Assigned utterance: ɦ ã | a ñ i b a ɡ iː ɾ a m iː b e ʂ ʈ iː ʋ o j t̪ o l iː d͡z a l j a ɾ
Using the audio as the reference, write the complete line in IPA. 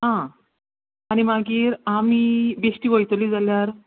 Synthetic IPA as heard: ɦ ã | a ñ i m a ɡ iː ɾ a m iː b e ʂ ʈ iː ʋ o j t̪ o l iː d͡z a l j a ɾ